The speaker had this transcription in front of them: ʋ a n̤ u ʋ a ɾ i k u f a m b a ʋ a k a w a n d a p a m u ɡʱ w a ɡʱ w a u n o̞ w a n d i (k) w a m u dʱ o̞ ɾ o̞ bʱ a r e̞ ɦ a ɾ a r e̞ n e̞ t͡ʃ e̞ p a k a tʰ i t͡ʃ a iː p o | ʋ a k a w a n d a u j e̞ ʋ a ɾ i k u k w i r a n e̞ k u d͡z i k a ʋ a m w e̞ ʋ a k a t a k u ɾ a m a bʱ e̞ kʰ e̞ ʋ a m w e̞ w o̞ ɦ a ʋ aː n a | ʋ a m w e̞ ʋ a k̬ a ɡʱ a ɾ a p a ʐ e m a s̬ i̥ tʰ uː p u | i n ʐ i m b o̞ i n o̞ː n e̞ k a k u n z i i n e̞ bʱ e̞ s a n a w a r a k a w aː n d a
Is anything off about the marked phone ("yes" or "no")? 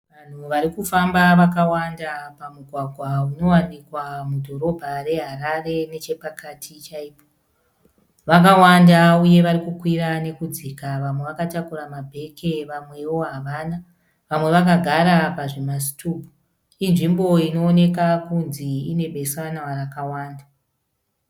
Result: no